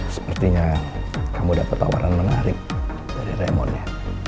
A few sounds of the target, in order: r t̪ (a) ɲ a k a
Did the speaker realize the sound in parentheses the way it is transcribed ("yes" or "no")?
no